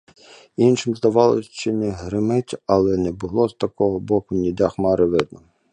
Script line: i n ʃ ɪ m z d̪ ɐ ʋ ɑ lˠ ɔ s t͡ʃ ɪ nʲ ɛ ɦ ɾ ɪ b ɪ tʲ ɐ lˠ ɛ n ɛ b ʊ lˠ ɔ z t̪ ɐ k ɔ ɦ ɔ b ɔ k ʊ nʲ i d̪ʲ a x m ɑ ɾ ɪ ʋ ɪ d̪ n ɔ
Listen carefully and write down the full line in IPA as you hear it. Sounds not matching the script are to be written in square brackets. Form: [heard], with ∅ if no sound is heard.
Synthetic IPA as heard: i n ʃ ɪ m z d̪ ɐ ʋ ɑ lˠ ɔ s t͡ʃ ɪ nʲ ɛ ɦ ɾ ɪ [m] ɪ tʲ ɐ lˠ ɛ n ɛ b ʊ lˠ ɔ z t̪ ɐ k ɔ ɦ ɔ b ɔ k ʊ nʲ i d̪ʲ a x m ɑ ɾ ɪ ʋ ɪ d̪ n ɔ

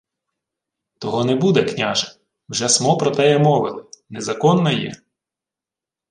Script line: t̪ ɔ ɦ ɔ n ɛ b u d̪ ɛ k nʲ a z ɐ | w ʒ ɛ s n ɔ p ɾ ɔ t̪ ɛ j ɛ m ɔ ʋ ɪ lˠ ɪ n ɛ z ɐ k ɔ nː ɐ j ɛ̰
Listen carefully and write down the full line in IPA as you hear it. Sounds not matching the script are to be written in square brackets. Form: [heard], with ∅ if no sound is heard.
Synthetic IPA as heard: t̪ ɔ ɦ ɔ n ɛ b u d̪ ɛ k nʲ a [ʒ] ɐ | w ʒ ɛ s [m] ɔ p ɾ ɔ t̪ ɛ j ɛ m ɔ ʋ ɪ lˠ ɪ n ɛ z ɐ k ɔ nː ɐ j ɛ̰

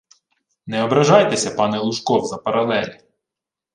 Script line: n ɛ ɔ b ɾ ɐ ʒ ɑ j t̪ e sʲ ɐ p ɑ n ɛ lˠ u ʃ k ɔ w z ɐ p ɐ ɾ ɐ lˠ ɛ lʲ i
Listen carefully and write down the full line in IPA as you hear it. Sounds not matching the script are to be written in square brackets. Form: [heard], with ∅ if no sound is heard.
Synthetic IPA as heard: n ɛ ɔ b ɾ ɐ ʒ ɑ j t̪ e sʲ ɐ p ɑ n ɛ lˠ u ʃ k ɔ w z ɐ p ɐ ɾ ɐ lˠ ɛ lʲ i

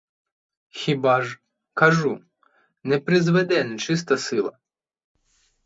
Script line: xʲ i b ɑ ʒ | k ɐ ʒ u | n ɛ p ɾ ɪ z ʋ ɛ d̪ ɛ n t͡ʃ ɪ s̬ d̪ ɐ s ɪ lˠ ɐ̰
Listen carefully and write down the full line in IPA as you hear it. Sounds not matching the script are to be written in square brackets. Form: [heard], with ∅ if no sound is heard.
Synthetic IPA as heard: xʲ i b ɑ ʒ | k ɐ ʒ u | n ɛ p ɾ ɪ z ʋ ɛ d̪ ɛ n t͡ʃ ɪ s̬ [t̪] ɐ s ɪ lˠ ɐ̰

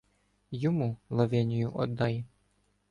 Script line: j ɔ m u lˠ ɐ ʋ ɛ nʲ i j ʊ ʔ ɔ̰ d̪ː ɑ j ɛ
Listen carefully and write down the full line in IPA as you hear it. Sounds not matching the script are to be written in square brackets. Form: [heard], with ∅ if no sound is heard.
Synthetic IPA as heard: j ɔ m u lˠ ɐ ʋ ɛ nʲ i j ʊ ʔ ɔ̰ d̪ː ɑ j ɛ

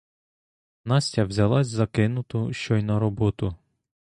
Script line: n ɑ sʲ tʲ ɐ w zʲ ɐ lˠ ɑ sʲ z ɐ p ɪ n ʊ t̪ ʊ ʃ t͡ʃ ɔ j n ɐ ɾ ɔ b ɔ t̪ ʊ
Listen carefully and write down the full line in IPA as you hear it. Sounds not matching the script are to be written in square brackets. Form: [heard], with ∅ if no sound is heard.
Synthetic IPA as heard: n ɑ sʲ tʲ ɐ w zʲ ɐ lˠ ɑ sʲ z ɐ [k] ɪ n ʊ t̪ ʊ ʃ t͡ʃ ɔ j n ɐ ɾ ɔ b ɔ t̪ ʊ

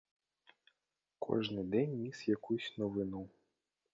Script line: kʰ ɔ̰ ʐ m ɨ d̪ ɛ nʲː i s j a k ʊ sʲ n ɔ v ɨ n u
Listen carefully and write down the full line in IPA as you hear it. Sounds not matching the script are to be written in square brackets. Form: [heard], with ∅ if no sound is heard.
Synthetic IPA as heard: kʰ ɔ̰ ʐ [n] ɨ d̪ ɛ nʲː i s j a k [u] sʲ n ɔ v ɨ n u

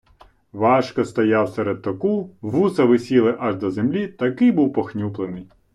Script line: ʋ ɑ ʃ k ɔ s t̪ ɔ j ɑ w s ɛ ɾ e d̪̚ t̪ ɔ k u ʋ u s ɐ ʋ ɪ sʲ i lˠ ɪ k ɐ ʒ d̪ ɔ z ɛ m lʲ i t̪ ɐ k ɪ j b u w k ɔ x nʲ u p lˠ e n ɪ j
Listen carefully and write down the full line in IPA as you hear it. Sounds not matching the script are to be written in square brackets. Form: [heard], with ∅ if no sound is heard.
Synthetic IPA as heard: ʋ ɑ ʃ k ɔ s t̪ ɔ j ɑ w s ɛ ɾ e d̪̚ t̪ ɔ k u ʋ u s ɐ ʋ ɪ sʲ i lˠ ɪ [ʔ] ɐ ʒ d̪ ɔ z [e] m lʲ i t̪ ɐ k ɪ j b u w [p] ɔ x nʲ u p lˠ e n ɪ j

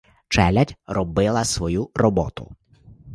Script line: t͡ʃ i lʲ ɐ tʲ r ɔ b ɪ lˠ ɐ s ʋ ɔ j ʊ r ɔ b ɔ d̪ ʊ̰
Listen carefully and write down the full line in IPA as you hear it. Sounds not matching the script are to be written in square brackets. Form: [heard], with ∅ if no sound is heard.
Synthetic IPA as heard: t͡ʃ [ɛ] lʲ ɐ tʲ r ɔ b ɪ lˠ ɐ s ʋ ɔ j [u] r ɔ b ɔ [t̪] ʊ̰

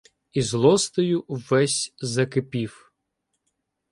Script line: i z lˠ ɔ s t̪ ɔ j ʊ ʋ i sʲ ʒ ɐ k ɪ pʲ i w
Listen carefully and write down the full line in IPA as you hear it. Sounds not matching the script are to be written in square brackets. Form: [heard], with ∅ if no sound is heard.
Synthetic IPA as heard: i z lˠ ɔ s t̪ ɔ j ʊ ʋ [ɛ] sʲ [z] ɐ k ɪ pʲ i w

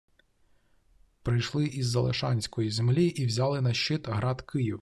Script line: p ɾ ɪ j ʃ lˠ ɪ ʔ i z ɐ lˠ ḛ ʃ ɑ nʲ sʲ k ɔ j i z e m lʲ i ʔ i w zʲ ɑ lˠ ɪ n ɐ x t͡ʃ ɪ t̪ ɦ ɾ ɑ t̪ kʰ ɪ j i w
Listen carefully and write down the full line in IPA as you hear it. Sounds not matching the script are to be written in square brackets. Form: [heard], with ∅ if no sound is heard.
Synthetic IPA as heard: p ɾ ɪ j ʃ lˠ ɪ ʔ i [zː] ɐ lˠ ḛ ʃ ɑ nʲ sʲ k ɔ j i z e m lʲ i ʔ i w zʲ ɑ lˠ ɪ n ɐ [ʃ] t͡ʃ ɪ t̪ ɦ ɾ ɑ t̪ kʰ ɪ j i w

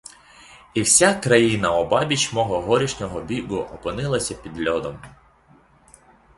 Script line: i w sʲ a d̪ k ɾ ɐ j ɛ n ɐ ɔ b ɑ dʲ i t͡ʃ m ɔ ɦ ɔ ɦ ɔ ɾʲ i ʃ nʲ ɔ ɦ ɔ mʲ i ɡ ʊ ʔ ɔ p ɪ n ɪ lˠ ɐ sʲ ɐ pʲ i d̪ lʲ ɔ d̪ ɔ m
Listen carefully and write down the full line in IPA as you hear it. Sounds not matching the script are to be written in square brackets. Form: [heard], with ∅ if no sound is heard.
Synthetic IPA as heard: i w sʲ a [∅] k ɾ ɐ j [i] n ɐ ɔ b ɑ [bʲ] i t͡ʃ m ɔ ɦ ɔ ɦ ɔ ɾʲ i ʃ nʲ ɔ ɦ ɔ [bʲ] i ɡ ʊ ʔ ɔ p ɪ n ɪ lˠ ɐ sʲ ɐ pʲ i d̪ lʲ ɔ d̪ ɔ m

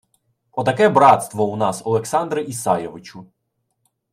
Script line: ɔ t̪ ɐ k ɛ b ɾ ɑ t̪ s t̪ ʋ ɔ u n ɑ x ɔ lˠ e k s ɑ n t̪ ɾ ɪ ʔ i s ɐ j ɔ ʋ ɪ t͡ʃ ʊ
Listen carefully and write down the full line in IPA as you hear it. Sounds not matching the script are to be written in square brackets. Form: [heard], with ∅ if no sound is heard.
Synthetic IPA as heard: ɔ t̪ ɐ k ɛ b ɾ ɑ t̪ s t̪ ʋ ɔ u n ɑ [s] ɔ lˠ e k s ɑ n [d̪] ɾ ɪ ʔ i s [ɑ] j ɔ ʋ ɪ t͡ʃ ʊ

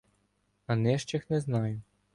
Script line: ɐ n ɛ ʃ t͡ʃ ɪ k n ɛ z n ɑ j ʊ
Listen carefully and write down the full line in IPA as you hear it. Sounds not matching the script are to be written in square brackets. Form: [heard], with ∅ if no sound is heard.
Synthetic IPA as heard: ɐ n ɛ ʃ t͡ʃ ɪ [x] n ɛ z n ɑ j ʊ

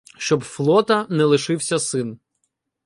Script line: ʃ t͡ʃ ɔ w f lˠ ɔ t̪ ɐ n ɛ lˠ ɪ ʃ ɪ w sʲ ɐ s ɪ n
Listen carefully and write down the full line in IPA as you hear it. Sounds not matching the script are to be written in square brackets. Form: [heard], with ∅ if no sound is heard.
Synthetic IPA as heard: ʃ t͡ʃ ɔ [b] f lˠ ɔ t̪ ɐ n ɛ lˠ ɪ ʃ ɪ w sʲ ɐ s ɪ n

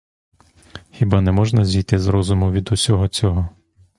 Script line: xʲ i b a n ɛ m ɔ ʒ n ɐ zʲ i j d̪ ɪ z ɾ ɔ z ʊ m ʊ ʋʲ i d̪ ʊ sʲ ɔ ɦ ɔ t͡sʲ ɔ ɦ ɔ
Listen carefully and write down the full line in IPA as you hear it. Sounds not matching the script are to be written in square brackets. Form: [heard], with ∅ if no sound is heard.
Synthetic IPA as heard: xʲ i b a n ɛ m ɔ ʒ n ɐ zʲ i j [t̪] ɪ z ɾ ɔ z ʊ m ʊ ʋʲ i d̪ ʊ sʲ ɔ ɦ ɔ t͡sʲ ɔ ɦ ɔ

